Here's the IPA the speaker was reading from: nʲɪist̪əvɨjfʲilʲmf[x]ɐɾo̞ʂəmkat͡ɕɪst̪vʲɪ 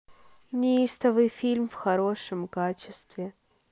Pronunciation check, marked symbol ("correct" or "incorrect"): correct